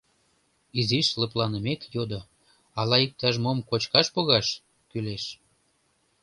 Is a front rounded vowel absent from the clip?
no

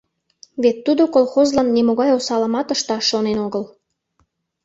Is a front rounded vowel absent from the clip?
yes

